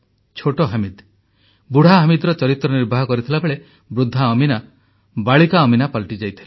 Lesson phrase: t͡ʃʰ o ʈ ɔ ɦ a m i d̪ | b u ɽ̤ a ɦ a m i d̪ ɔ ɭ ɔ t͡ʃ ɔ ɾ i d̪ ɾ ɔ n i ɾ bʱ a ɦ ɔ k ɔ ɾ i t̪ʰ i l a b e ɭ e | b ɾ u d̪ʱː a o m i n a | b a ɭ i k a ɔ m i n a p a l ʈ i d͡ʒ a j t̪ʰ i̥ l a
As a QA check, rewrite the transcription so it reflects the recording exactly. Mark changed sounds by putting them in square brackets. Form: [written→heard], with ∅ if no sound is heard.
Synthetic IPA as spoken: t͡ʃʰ o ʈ ɔ ɦ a m i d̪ | b u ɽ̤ a ɦ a m i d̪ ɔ [ɭ→ɾ] ɔ t͡ʃ ɔ ɾ i [d̪→t̪] ɾ ɔ n i ɾ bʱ a ɦ ɔ k ɔ ɾ i t̪ʰ i l a b e ɭ e | b ɾ u d̪ʱː a [o→ɔ] m i n a | b a ɭ i k a ɔ m i n a p a l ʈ i d͡ʒ a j t̪ʰ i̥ l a